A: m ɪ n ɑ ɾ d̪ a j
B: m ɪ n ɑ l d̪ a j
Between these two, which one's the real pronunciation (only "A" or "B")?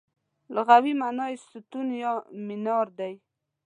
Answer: A